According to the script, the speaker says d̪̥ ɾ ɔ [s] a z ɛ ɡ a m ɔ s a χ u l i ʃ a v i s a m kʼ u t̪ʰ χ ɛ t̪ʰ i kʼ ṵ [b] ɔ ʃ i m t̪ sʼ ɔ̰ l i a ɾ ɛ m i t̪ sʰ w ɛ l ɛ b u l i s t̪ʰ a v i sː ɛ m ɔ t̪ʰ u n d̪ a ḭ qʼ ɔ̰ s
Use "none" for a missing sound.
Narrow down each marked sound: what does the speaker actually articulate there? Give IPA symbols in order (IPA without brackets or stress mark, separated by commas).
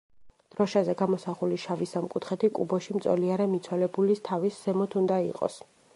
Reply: ʃ, b